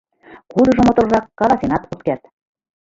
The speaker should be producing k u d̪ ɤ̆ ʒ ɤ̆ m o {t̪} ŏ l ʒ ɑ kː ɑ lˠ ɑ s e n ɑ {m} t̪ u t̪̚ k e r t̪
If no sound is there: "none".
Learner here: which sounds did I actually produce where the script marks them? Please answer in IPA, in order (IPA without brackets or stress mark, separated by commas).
t̪, none